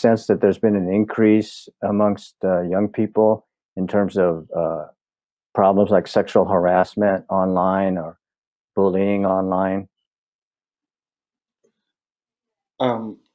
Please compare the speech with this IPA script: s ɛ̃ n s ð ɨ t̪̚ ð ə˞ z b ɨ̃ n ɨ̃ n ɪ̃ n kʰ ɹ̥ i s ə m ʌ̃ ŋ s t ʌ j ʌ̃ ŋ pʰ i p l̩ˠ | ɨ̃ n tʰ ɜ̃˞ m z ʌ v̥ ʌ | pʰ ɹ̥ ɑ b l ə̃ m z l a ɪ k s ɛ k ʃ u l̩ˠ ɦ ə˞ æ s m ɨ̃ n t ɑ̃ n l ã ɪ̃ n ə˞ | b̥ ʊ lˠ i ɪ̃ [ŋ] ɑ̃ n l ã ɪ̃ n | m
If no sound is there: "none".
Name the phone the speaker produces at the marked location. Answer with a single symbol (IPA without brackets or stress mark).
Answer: ŋ